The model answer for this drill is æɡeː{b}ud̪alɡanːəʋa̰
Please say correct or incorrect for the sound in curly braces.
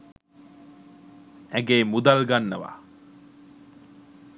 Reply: incorrect